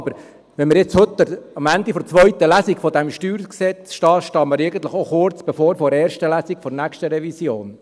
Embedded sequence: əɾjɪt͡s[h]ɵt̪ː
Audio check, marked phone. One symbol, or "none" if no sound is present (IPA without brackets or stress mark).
h